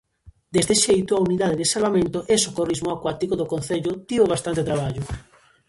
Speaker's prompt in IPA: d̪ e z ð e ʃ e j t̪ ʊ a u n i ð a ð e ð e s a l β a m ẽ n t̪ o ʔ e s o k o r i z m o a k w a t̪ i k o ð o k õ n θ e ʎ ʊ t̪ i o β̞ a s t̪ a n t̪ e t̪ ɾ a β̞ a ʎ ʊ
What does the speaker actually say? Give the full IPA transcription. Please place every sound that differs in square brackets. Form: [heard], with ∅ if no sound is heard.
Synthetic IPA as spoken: d̪ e z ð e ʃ e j t̪ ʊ a u n i ð a ð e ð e s a l β a m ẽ n t̪ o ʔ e s o k o r i z m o a k w a t̪ i k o ð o k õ n θ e ʎ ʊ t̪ i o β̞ a s t̪ a n t̪ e t̪ ɾ a β̞ a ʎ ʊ